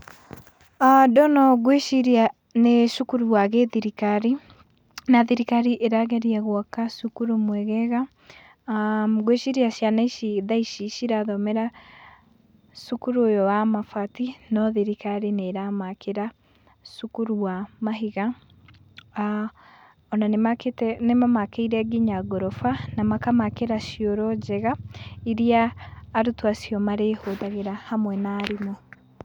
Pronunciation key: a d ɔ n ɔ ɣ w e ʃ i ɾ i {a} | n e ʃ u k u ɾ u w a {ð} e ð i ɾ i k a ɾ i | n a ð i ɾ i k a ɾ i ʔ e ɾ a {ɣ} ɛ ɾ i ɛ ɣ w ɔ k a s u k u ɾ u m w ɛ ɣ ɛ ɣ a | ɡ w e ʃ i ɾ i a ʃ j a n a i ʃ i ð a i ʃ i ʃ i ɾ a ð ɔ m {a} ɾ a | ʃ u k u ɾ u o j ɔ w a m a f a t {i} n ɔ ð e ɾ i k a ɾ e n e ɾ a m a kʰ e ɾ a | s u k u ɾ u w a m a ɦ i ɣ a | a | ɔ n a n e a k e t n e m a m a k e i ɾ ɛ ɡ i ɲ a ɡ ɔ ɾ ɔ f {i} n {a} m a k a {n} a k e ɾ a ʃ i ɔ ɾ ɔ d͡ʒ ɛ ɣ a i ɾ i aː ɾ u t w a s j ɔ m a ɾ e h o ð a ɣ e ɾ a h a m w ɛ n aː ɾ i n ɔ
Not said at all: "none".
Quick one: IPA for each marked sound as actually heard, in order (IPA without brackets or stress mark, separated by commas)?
a, ɣ, ɣ, ɛ, i, a, a, m